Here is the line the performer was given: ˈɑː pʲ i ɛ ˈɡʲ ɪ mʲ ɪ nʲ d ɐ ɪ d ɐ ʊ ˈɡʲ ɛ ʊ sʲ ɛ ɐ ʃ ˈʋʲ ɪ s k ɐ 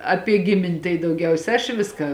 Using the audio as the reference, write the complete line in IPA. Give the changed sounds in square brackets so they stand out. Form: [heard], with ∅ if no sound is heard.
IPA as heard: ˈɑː pʲ i ɛ ˈɡʲ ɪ mʲ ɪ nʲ [t] ɐ ɪ d ɐ ʊ ˈɡʲ ɛ ʊ sʲ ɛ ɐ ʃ ˈʋʲ ɪ s k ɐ